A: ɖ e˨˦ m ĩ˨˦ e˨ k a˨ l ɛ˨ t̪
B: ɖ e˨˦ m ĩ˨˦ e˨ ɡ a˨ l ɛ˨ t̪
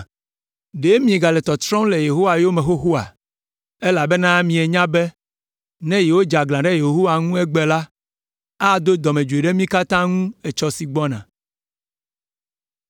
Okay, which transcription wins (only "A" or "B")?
B